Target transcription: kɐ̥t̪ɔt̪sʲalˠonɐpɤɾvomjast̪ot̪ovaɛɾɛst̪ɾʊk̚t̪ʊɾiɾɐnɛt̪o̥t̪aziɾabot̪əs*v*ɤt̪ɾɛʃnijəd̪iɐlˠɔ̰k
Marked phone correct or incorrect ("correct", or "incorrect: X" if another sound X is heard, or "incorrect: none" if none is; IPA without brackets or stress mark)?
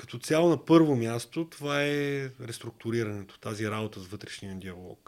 correct